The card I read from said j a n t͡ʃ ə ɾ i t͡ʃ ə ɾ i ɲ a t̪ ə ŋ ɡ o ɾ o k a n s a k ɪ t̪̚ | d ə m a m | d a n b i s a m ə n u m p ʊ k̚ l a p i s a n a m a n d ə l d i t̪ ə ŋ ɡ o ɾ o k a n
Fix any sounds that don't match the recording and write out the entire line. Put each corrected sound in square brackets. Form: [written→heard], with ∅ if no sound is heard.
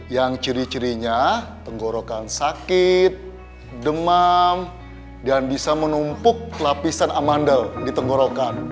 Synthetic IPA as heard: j a [n→ŋ] t͡ʃ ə ɾ i t͡ʃ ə ɾ i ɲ a t̪ ə ŋ ɡ o ɾ o k a n s a k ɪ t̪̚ | d ə m a m | d a n b i s a m ə n u m p ʊ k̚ l a p i s a n a m a n d ə l d i t̪ ə ŋ ɡ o ɾ o k a n